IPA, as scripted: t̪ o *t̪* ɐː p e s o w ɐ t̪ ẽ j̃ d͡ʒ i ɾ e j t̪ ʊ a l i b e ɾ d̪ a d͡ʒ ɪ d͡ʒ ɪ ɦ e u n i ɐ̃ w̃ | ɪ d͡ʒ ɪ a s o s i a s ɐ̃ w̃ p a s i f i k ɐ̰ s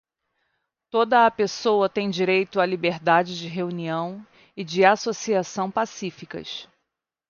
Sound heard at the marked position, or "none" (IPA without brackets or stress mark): d̪